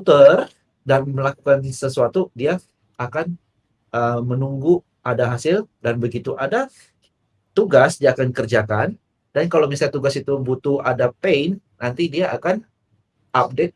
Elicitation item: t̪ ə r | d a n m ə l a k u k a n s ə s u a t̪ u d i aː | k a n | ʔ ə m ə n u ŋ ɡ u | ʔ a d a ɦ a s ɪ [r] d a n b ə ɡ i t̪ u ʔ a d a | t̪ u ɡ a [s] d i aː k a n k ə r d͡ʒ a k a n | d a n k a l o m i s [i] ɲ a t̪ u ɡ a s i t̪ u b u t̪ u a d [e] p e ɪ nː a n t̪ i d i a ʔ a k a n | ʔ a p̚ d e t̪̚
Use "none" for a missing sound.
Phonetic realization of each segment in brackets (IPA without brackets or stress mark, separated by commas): l, s, a, a